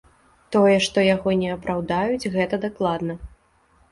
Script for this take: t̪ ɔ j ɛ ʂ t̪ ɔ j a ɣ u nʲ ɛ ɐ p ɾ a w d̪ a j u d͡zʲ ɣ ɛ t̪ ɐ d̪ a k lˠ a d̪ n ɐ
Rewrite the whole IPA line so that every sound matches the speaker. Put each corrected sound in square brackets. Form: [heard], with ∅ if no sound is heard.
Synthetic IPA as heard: t̪ ɔ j ɛ ʂ t̪ ɔ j a ɣ [ɔ] nʲ ɛ ɐ p ɾ a w d̪ a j u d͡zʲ ɣ ɛ t̪ ɐ d̪ a k lˠ a d̪ n ɐ